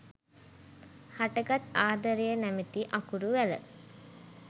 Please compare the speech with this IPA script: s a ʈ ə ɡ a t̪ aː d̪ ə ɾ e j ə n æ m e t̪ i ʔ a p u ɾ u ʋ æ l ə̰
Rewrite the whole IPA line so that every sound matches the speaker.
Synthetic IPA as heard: h a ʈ ə ɡ a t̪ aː d̪ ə ɾ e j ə n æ m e t̪ i ʔ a k u ɾ u ʋ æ l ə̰